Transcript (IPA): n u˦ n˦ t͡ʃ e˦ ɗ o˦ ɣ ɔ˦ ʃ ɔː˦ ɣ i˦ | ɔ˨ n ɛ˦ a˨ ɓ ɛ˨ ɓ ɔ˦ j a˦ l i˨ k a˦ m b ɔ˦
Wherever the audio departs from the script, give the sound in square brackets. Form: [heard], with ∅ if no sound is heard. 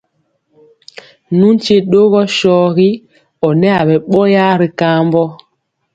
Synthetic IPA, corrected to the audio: n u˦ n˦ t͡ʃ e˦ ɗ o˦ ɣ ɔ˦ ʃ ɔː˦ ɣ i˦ | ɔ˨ n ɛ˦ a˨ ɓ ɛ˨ ɓ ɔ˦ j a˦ [ɾ] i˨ k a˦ m b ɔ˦